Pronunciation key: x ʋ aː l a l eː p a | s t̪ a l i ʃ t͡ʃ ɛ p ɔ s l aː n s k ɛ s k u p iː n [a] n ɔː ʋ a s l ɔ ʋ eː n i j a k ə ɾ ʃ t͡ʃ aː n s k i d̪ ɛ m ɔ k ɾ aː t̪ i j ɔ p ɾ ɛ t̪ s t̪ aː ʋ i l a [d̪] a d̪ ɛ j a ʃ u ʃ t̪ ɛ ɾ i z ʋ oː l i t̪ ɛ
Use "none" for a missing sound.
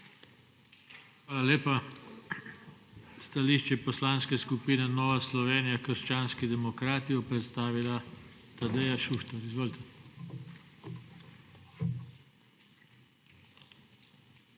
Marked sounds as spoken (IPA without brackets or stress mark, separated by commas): ɛ, t̪